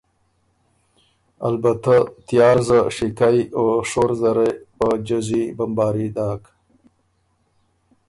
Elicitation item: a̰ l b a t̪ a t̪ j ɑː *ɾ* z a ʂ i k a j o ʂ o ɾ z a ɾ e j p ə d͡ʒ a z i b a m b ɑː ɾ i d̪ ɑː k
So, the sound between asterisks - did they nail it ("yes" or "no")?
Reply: yes